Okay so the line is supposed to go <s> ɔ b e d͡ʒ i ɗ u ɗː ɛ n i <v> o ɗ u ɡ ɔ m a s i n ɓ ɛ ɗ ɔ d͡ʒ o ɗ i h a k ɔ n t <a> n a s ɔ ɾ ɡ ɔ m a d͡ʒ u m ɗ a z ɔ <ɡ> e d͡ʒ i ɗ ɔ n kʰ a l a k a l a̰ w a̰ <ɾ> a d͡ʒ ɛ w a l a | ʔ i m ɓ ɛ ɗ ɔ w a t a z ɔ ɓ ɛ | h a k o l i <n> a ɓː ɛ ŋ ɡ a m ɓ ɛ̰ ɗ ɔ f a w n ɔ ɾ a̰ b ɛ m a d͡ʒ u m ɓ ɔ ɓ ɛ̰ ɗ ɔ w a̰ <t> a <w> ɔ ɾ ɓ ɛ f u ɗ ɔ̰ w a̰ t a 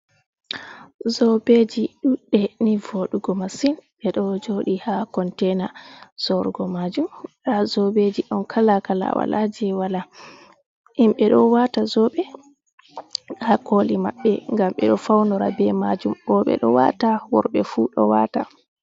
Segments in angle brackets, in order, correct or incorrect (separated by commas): incorrect, correct, incorrect, incorrect, incorrect, incorrect, correct, correct